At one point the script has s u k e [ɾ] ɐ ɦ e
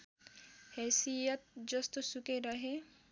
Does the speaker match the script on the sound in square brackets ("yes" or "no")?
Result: yes